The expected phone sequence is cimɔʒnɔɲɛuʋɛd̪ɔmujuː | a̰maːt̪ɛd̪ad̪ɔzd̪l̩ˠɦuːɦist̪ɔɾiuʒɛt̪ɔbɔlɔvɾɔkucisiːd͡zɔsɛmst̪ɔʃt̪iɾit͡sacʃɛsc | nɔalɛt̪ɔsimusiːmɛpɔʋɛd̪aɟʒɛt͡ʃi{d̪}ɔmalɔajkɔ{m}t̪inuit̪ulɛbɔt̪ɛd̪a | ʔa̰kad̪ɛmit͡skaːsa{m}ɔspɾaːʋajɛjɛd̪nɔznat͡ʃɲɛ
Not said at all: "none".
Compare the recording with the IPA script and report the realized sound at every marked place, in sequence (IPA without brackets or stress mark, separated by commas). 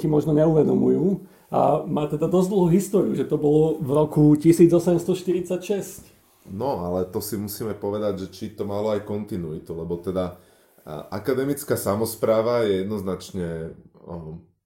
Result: t̪, n, m